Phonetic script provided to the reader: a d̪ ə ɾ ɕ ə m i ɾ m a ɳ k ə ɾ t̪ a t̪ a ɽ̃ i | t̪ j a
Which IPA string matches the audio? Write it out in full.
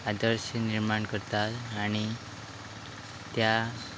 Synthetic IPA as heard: a d̪ ə ɾ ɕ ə n i ɾ m a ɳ k ə ɾ t̪ a t̪ a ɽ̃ i | t̪ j a